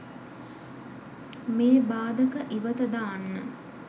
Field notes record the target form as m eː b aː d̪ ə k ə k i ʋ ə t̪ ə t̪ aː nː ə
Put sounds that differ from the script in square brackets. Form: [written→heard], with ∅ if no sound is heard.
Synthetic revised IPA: m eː b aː d̪ ə k ə [k→ʔ] i ʋ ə t̪ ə [t̪→d̪] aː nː ə